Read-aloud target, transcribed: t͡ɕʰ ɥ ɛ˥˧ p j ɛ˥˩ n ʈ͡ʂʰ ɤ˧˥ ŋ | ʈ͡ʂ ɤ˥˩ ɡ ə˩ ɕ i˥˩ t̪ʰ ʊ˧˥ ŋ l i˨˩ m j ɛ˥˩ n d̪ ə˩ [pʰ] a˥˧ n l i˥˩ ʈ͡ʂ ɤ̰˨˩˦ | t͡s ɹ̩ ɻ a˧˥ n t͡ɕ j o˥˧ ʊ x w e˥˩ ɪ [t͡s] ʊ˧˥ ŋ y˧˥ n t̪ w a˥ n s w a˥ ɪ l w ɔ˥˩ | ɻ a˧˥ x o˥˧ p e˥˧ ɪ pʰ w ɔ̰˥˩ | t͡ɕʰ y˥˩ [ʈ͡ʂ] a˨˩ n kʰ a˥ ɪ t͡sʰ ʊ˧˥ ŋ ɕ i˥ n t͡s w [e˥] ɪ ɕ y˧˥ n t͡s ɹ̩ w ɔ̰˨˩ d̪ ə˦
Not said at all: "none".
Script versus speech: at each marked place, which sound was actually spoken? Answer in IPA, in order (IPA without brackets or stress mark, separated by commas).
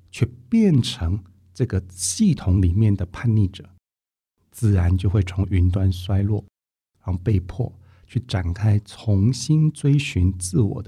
pʰ, t͡sʰ, ʈ͡ʂ, e˥